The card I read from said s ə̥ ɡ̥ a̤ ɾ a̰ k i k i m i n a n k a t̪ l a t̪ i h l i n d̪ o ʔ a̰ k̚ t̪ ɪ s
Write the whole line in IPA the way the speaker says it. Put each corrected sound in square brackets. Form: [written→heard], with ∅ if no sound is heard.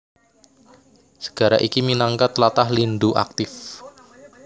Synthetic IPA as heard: s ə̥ ɡ̥ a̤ ɾ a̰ [k→ʔ] i k i m i n a [n→ŋ] k a t̪ l a t̪ [i→a] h l i n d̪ [o→u] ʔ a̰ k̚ t̪ ɪ [s→f]